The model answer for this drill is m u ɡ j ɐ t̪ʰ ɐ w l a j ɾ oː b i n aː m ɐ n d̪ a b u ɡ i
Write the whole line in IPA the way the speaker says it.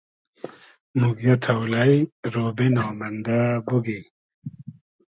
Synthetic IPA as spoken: m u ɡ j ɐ t̪ʰ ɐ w l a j ɾ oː b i n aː m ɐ n d̪ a b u ɡ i

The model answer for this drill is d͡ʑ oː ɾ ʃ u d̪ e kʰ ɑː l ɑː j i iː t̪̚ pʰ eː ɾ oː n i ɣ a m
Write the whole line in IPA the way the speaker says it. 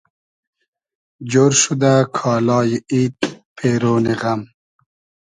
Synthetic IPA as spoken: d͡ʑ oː ɾ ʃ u d̪ a kʰ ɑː l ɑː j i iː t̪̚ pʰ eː ɾ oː n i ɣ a m

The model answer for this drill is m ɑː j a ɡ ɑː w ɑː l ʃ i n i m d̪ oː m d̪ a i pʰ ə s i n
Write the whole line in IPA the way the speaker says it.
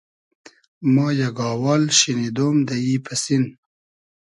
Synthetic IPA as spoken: m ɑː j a ɡ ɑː w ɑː l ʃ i n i d̪ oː m d̪ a i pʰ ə s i n

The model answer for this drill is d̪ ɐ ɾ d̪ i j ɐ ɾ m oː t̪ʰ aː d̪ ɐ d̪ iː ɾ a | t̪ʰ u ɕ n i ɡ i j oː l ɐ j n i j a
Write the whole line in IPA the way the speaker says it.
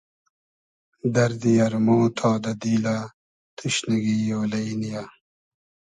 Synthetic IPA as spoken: d̪ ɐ ɾ d̪ i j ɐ ɾ m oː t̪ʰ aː d̪ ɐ d̪ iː l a | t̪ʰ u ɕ n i ɡ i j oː l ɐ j n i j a

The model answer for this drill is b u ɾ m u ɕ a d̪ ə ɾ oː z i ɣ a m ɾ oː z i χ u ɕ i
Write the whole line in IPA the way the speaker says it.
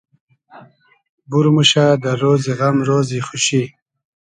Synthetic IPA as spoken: b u ɾ m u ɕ a d̪ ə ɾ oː z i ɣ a m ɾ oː z i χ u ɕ i

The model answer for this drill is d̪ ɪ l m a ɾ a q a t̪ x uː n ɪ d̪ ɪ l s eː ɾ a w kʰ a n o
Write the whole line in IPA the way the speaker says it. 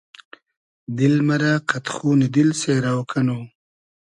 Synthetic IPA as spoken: d̪ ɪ l m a ɾ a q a t̪ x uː n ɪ d̪ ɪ l s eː ɾ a w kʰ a n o

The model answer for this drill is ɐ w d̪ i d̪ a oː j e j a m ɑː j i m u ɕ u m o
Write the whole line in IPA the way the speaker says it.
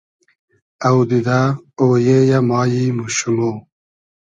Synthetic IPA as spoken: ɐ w d̪ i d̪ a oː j e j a m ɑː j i m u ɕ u m o

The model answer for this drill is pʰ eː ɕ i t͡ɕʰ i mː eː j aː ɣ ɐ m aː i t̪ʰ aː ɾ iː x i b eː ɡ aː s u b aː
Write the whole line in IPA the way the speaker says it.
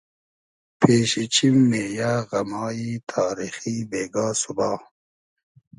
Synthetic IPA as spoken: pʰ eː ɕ i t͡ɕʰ i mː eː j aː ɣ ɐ m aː i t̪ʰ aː ɾ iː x i b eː ɡ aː s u b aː

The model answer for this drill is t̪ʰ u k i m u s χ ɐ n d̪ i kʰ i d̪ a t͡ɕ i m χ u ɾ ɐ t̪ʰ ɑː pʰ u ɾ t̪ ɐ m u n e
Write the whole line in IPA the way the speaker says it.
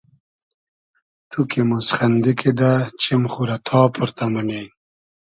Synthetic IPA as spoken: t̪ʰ u k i m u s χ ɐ n d̪ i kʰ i d̪ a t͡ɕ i m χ u ɾ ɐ t̪ʰ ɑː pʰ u ɾ t̪ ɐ m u n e

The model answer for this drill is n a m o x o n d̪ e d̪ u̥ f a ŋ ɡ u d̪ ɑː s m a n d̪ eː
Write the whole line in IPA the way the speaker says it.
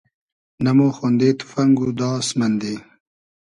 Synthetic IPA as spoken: n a m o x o n d̪ e t̪ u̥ f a ŋ ɡ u d̪ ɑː s m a n d̪ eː

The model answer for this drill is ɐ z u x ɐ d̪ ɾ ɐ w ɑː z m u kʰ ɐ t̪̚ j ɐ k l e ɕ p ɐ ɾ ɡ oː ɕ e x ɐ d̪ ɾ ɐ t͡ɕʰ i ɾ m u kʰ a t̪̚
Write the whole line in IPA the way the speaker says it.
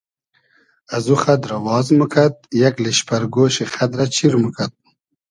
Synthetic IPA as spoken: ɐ z u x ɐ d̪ ɾ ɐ w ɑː z m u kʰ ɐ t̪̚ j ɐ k l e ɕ p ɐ ɾ ɡ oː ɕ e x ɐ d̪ ɾ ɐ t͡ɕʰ i ɾ m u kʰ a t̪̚

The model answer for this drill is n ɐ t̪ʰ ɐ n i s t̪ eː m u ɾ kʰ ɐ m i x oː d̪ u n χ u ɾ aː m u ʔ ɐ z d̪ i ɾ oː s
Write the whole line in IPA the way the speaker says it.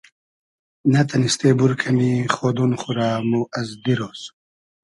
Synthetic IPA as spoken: n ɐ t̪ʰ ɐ n i s t̪ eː b u ɾ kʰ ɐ m i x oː d̪ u n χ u ɾ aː m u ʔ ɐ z d̪ i ɾ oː s

